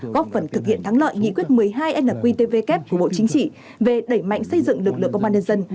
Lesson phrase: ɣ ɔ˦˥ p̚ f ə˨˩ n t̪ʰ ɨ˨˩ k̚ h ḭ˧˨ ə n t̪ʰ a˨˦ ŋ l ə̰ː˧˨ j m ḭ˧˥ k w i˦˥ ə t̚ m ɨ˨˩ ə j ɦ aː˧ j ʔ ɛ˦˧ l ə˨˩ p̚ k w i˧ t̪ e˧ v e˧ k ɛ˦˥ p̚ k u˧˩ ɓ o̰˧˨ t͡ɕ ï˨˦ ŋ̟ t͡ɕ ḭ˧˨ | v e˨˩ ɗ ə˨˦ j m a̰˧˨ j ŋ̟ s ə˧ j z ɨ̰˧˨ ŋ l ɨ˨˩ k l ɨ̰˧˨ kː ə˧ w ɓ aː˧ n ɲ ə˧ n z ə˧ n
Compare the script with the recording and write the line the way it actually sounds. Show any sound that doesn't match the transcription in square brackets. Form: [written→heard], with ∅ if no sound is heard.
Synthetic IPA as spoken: ɣ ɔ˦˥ p̚ f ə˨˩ n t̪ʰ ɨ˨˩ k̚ h ḭ˧˨ ə n t̪ʰ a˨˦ ŋ l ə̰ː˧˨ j [m→ŋ] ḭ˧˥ k w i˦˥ ə t̚ m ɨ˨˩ ə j ɦ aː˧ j ʔ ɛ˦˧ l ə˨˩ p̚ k w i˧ t̪ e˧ v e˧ k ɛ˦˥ p̚ k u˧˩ ɓ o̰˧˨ t͡ɕ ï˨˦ ŋ̟ t͡ɕ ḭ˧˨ | v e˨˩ ɗ [ə˨˦→ə˧˩] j m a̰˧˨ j ŋ̟ s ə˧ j z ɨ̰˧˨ ŋ l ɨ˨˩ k l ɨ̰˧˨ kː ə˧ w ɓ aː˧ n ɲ ə˧ n z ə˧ n

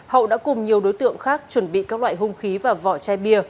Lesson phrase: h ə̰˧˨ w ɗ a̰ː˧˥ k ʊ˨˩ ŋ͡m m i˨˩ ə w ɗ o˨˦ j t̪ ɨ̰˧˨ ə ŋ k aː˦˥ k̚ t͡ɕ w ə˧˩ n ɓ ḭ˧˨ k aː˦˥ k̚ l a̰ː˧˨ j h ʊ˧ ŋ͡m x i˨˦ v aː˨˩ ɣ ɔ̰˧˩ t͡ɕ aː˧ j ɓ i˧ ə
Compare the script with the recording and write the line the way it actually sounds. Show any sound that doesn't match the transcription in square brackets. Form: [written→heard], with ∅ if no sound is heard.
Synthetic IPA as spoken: h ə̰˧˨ w ɗ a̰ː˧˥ k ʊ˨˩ ŋ͡m [m→ɲ] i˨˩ ə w ɗ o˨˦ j t̪ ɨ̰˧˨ ə ŋ [k→x] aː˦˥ k̚ t͡ɕ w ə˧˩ n ɓ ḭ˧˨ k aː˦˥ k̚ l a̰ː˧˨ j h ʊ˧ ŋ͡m x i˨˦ v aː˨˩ [ɣ→v] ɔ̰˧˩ t͡ɕ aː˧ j ɓ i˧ ə

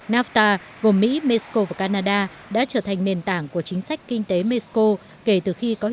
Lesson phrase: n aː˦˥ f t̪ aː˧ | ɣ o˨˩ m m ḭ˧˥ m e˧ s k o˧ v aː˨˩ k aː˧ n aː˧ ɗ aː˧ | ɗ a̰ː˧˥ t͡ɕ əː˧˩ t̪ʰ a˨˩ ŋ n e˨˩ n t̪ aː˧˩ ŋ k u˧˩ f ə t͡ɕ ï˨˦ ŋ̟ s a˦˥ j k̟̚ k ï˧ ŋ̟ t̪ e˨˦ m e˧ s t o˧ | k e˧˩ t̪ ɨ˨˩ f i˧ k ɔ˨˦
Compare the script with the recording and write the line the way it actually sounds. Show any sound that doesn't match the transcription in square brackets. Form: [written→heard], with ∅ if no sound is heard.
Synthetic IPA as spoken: n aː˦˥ f t̪ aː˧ | ɣ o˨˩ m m ḭ˧˥ m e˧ s k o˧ v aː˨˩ k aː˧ n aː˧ ɗ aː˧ | ɗ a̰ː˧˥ t͡ɕ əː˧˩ t̪ʰ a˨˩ ŋ n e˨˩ n t̪ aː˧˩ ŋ k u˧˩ [f→∅] ə t͡ɕ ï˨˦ ŋ̟ s a˦˥ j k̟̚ k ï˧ ŋ̟ t̪ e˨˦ m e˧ s [t→k] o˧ | k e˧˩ t̪ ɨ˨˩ [f→x] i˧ k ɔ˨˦

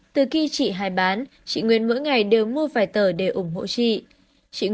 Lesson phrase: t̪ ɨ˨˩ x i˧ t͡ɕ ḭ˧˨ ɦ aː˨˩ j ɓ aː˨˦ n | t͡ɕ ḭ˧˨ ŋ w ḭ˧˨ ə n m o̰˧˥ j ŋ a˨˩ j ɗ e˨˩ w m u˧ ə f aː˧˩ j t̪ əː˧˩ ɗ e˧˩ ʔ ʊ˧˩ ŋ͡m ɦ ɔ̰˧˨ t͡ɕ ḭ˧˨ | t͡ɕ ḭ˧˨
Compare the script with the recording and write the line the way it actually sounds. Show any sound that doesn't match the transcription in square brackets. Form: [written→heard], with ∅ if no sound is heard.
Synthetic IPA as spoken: t̪ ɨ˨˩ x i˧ t͡ɕ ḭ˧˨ ɦ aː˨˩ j ɓ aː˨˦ n | t͡ɕ ḭ˧˨ ŋ w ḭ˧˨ ə n m o̰˧˥ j ŋ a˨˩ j ɗ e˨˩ w m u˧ ə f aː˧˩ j t̪ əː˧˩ ɗ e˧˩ ʔ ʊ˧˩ ŋ͡m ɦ [ɔ̰˧˨→o̰˧˨] t͡ɕ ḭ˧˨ | t͡ɕ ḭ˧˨

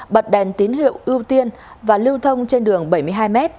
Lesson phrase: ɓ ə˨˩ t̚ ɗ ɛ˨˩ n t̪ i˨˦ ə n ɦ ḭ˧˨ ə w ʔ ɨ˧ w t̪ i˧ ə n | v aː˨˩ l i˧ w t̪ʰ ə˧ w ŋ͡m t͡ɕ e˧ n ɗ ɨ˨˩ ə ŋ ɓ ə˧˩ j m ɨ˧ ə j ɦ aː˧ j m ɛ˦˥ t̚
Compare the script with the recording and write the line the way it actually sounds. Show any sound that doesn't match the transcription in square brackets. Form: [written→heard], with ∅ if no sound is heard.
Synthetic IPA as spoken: ɓ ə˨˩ t̚ ɗ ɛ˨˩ n t̪ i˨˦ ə n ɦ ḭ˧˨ ə w ʔ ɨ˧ w t̪ i˧ ə n | v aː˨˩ l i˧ w t̪ʰ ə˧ w ŋ͡m t͡ɕ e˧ n ɗ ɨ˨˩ ə ŋ ɓ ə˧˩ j m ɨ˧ ə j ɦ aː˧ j m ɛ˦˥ t̚

